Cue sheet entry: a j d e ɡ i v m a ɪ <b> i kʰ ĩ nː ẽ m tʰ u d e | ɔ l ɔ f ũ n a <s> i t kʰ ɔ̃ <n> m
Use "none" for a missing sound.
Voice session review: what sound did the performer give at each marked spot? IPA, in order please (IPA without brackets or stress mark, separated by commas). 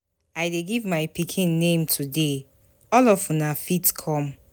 p, f, none